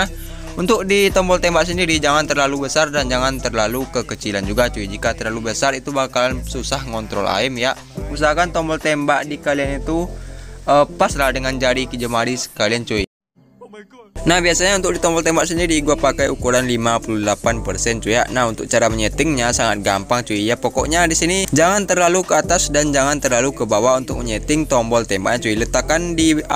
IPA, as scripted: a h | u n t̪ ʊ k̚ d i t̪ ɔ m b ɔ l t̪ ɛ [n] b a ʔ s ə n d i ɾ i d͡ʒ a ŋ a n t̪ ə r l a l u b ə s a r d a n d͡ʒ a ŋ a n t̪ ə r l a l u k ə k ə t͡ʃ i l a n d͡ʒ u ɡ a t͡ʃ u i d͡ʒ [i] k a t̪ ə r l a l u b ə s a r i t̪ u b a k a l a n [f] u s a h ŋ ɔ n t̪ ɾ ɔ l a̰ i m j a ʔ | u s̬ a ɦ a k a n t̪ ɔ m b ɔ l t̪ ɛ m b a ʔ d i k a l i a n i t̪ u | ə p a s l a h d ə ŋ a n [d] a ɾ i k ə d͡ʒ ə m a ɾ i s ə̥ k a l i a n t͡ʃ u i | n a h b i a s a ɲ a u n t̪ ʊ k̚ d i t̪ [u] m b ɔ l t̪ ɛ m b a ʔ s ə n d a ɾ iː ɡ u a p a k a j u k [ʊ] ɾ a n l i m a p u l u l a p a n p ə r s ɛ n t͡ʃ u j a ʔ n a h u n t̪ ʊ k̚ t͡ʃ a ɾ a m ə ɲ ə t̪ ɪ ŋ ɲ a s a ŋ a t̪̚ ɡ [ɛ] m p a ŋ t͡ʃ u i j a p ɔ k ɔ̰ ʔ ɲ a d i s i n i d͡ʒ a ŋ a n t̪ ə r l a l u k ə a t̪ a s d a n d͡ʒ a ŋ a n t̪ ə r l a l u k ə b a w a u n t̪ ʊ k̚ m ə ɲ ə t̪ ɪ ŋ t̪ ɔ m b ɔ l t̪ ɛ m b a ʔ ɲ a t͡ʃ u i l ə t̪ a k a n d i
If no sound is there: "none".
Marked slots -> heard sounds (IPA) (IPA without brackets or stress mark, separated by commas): m, i, s, d͡ʒ, ɔ, u, a